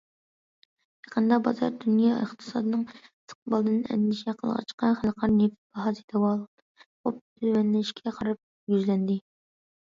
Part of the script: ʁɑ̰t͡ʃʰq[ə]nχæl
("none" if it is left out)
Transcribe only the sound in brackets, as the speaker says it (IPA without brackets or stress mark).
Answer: ɑ